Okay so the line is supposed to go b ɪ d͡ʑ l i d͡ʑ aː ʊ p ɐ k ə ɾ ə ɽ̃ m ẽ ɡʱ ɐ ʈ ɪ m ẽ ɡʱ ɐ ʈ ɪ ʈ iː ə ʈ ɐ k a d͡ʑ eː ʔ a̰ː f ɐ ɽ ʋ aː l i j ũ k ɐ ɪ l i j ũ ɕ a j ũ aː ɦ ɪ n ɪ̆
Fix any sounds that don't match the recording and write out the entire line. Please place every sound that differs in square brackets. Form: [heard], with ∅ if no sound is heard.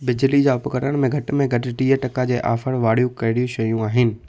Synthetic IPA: b ɪ d͡ʑ l i d͡ʑ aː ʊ p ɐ k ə ɾ ə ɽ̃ m ẽ ɡʱ ɐ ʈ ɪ m ẽ ɡʱ ɐ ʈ ɪ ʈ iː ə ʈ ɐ k a d͡ʑ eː ʔ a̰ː f [ə] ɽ ʋ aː [ɽ] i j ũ k ɐ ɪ [ɽ] i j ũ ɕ [ɐ] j ũ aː ɦ ɪ n ɪ̆